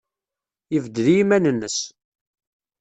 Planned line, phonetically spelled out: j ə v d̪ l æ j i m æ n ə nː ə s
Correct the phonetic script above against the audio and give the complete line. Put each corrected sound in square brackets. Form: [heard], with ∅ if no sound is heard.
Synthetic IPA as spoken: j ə v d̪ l [i] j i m æ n ə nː ə s